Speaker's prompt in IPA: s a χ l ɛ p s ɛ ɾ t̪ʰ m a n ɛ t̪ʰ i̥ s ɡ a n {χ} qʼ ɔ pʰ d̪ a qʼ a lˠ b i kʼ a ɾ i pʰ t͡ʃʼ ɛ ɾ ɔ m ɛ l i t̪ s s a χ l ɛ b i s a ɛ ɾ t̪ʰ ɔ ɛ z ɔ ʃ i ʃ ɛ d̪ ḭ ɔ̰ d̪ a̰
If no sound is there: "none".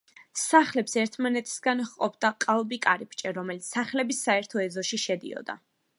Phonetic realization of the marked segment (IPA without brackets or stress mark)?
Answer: χ